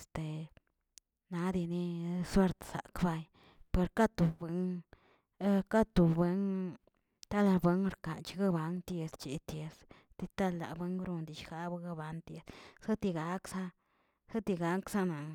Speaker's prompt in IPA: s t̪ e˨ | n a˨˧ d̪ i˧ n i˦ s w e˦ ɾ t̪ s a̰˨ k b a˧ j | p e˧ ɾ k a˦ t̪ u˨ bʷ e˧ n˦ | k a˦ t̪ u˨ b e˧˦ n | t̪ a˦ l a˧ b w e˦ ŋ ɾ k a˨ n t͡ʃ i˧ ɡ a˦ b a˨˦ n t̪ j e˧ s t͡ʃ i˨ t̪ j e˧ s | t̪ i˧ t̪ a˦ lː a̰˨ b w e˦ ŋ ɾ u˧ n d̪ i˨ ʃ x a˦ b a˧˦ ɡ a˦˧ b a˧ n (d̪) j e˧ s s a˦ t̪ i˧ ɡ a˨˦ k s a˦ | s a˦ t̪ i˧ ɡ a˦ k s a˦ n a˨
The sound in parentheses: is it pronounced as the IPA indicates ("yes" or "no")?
no